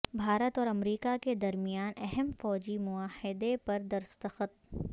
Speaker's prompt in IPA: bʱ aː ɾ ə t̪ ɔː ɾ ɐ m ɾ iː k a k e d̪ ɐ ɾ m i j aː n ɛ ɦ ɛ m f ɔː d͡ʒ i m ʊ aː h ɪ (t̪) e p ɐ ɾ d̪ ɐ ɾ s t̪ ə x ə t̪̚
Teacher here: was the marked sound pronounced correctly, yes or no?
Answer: no